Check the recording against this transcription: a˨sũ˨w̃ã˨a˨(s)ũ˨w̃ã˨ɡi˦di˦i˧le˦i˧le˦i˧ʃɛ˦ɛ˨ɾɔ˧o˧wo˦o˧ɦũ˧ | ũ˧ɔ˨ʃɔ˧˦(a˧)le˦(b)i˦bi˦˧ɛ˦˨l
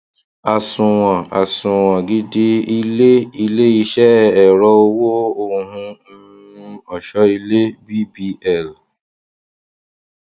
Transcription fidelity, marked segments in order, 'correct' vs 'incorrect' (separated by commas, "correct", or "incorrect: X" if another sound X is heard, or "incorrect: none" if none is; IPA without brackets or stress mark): correct, incorrect: i˧, correct